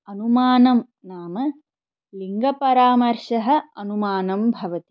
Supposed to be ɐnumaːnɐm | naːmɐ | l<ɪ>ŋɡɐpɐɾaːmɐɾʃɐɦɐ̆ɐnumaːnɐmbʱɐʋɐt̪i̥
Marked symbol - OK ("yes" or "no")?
no